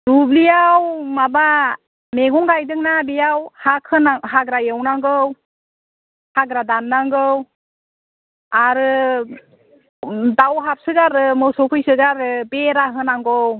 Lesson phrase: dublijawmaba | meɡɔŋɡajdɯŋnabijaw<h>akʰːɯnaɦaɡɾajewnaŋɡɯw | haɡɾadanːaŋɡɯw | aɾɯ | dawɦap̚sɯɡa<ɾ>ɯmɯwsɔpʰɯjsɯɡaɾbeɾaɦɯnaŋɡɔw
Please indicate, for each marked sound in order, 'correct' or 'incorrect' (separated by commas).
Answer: correct, correct